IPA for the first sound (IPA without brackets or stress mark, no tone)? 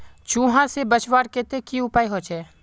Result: t͡ʃ